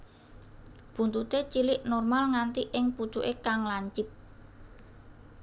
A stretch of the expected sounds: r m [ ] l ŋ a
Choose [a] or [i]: a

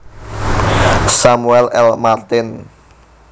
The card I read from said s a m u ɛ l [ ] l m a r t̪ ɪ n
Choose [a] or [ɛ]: ɛ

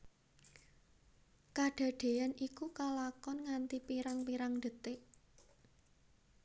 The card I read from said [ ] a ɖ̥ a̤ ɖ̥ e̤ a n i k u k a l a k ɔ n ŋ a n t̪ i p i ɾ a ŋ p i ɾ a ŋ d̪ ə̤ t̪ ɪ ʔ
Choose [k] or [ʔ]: k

